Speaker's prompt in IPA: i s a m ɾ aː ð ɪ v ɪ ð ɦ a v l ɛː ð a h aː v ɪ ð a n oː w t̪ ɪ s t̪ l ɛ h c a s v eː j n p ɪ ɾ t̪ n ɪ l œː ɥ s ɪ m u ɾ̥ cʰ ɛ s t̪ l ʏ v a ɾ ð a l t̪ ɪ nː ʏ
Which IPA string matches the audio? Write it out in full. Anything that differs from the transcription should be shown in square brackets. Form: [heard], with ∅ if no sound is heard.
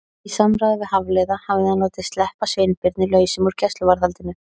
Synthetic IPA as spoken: i s a m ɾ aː ð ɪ v ɪ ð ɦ a v l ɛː ð a h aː v ɪ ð a n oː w t̪ ɪ s t̪ l ɛ h [p] a s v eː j n p ɪ ɾ t̪ n ɪ l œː ɥ s ɪ m u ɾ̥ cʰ ɛ s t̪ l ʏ v a ɾ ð a l t̪ ɪ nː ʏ